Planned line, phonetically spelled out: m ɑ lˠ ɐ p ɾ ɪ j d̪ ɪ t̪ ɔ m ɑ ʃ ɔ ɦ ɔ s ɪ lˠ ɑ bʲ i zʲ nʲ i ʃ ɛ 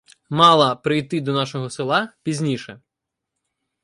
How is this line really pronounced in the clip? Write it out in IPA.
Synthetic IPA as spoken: m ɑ lˠ ɐ p ɾ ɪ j t̪ ɪ d̪ ɔ n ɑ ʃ ɔ ɦ ɔ s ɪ lˠ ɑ pʲ i zʲ nʲ i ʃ ɛ